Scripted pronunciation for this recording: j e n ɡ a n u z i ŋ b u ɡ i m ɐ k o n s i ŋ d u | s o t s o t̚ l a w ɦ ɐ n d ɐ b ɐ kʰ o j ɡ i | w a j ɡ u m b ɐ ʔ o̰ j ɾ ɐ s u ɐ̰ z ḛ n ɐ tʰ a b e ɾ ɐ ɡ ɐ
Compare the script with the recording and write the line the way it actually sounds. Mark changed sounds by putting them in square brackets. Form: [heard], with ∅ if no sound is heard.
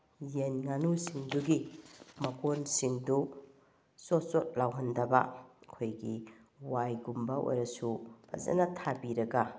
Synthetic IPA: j e n [ŋ] a n u [s] i ŋ [d] u ɡ i m ɐ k o n s i ŋ d u | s o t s o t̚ l a w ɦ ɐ n d ɐ b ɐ kʰ o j ɡ i | w a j ɡ u m b ɐ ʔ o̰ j ɾ ɐ s u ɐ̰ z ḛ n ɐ tʰ a b [i] ɾ ɐ ɡ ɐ

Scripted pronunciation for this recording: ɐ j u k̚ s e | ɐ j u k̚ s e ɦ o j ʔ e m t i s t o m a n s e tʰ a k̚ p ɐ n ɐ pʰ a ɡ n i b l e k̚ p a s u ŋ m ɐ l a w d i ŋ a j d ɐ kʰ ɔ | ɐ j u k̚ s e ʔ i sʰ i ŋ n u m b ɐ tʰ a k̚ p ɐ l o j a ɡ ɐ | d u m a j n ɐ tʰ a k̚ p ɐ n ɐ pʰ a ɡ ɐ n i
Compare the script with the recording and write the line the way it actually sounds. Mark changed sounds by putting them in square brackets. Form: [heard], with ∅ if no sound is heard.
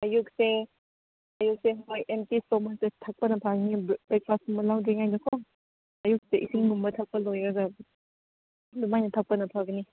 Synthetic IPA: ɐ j u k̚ s e | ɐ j u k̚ s e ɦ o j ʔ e m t i s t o m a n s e tʰ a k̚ p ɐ n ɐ pʰ a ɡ n i b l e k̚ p a s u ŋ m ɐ l a w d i ŋ a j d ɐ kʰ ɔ | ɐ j u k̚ s e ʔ i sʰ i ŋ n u m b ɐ tʰ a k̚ p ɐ l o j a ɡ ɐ | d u m a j n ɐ tʰ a k̚ p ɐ n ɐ pʰ a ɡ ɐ n i

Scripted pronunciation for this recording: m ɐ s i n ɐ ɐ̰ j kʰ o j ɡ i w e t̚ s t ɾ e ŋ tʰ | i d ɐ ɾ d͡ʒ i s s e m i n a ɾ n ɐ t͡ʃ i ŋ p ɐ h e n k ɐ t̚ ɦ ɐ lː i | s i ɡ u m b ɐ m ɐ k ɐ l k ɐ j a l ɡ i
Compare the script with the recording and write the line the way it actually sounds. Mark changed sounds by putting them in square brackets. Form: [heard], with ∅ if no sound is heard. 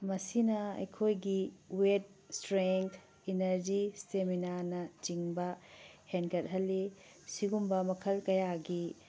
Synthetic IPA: m ɐ s i n ɐ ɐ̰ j kʰ o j ɡ i w e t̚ s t ɾ e ŋ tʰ | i [n] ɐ ɾ d͡ʒ i s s e m i n a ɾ n ɐ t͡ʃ i ŋ [b] ɐ h e n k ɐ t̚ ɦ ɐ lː i | s i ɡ u m b ɐ m ɐ [kʰ] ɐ l k ɐ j a [∅] ɡ i

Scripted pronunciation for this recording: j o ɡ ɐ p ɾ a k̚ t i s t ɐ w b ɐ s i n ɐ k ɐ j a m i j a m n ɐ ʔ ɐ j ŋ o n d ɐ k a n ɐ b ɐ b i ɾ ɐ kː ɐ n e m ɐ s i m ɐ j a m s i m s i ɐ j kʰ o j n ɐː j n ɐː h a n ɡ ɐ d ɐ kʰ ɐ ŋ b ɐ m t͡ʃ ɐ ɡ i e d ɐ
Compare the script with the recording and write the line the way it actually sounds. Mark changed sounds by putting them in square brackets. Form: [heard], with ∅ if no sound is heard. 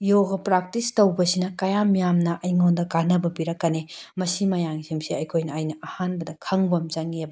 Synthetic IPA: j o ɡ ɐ p ɾ a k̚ t i s t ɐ w b ɐ s i n ɐ k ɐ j a m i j a m n ɐ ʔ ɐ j ŋ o n d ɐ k a n ɐ b ɐ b i ɾ ɐ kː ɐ n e m ɐ s i m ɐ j a [ŋ] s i m s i ɐ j kʰ o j n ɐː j n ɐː h a n [b] ɐ d ɐ kʰ ɐ ŋ b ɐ m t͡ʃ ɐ [ŋ] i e [b] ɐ

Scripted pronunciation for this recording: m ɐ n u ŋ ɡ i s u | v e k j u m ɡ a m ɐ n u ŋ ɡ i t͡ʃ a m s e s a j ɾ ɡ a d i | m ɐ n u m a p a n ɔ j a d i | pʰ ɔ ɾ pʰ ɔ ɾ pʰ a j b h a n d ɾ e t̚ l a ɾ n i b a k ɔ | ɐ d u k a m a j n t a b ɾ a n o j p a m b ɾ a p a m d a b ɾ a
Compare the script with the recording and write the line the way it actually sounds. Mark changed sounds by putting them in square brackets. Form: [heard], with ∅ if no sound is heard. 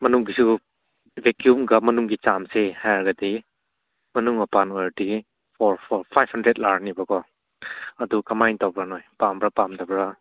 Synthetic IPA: m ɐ n u ŋ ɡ i s u | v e k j u m ɡ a m ɐ n u ŋ ɡ i t͡ʃ a m s e [h] a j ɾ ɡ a d i | m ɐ n u [ŋ] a p a n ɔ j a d i | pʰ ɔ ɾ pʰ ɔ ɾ pʰ a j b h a n d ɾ e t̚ l a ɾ n i b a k ɔ | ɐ d u k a m a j n t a b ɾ a n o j p a m b ɾ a p a m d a b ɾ a

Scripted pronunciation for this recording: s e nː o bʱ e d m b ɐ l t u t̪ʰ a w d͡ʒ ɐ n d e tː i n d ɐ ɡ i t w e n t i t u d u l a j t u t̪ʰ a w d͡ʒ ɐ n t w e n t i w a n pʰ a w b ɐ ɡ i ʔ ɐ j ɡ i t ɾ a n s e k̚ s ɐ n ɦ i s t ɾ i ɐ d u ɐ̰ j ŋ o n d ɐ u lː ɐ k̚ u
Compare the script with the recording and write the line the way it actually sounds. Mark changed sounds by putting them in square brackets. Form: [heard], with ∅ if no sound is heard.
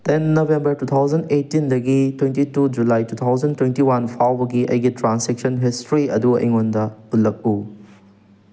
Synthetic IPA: [t] e nː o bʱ e [∅] m b ɐ [ɾ] t u t̪ʰ a w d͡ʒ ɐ n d e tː i n d ɐ ɡ i t w e n t i t u [d͡ʒ] u l a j t u t̪ʰ a w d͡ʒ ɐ n t w e n t i w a n pʰ a w b ɐ ɡ i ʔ ɐ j ɡ i t ɾ a n s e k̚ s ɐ n ɦ i s t ɾ i ɐ d u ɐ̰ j ŋ o n d ɐ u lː ɐ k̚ u

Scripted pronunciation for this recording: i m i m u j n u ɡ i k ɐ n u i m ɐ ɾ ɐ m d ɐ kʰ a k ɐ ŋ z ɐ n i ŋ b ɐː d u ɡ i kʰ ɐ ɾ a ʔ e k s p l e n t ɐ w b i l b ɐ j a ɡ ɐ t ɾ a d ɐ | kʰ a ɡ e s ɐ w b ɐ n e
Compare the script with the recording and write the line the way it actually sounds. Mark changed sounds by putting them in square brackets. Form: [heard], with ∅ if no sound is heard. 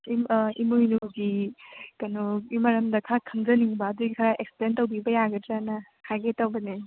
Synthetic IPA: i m i m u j n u ɡ i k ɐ n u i m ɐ ɾ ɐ m d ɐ kʰ a [kʰ] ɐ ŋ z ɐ n i ŋ b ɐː d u ɡ i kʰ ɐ ɾ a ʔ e k s p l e n t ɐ w b i [∅] b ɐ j a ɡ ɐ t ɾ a [n] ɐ | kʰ a ɡ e [t] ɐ w b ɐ n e

